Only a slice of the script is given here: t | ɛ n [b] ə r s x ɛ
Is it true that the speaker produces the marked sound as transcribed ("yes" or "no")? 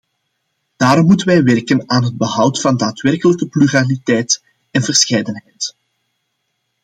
no